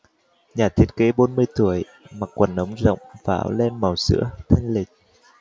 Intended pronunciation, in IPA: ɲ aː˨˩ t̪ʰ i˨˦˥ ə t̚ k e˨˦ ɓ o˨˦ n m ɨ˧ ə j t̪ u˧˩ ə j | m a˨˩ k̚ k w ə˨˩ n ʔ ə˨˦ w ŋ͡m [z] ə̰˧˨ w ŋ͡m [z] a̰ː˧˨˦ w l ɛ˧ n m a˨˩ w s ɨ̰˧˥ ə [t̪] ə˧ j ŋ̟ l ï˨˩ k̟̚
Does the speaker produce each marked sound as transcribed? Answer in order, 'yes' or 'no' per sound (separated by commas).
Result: yes, no, no